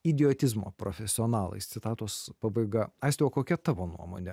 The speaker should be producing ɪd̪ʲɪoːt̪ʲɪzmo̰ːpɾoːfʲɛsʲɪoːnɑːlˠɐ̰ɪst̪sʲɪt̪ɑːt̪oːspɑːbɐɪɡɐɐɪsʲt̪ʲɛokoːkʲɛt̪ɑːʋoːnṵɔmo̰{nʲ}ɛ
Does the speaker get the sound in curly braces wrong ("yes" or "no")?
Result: no